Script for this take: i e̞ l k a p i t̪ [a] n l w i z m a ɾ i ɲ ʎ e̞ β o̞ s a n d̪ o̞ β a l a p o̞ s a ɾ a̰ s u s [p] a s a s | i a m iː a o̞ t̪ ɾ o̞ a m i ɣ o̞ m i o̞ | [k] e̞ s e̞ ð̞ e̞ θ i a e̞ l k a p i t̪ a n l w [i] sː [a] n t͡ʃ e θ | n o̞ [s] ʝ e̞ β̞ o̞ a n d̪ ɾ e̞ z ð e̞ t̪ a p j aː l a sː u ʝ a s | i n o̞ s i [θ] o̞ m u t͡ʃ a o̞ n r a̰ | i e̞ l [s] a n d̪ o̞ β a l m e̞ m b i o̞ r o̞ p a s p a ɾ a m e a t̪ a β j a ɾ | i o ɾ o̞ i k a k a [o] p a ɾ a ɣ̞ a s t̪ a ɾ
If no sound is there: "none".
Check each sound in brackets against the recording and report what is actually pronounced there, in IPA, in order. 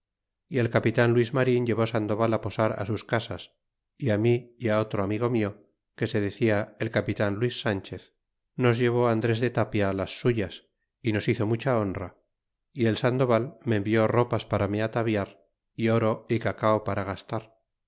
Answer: a, k, k, i, a, z, θ, s, o

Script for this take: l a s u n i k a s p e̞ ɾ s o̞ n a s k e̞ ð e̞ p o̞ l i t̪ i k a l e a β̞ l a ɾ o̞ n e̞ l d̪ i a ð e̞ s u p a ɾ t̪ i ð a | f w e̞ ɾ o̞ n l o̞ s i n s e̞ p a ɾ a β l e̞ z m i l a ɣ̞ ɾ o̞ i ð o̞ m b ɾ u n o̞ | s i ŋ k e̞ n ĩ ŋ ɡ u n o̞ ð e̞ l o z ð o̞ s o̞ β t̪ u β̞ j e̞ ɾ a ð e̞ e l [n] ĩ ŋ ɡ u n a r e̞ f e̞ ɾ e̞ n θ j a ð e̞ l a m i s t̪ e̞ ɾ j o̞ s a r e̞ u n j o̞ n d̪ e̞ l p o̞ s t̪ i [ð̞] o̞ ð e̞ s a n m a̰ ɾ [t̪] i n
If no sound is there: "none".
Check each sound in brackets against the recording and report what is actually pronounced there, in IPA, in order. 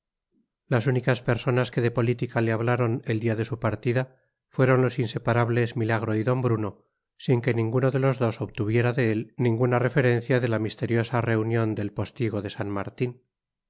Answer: n, ɣ̞, t̪

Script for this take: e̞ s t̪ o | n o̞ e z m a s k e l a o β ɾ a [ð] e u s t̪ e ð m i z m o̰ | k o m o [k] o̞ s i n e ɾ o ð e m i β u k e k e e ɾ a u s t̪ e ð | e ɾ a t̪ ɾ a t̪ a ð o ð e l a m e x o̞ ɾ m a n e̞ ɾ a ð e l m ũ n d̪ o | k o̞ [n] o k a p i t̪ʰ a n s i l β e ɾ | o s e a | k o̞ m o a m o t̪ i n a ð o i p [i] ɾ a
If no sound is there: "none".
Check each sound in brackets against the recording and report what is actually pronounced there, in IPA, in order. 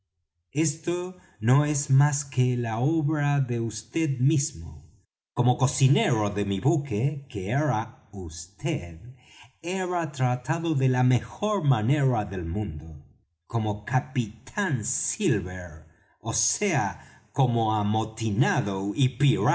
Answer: ð, k, m, i

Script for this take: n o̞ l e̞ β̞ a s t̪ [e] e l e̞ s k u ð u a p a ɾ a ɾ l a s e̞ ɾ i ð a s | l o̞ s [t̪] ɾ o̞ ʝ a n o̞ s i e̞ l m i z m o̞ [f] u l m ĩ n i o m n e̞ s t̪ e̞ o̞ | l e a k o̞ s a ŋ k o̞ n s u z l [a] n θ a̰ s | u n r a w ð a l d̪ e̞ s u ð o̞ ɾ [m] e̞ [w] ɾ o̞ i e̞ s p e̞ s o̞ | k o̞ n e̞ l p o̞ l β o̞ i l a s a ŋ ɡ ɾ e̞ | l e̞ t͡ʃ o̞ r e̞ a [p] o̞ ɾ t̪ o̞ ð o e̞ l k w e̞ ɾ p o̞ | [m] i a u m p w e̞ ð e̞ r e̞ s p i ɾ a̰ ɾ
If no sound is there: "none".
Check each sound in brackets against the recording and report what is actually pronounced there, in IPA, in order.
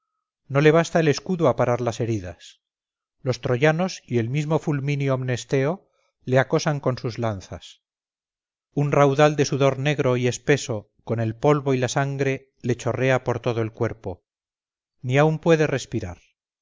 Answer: a, t̪, f, a, n, ɣ, p, n

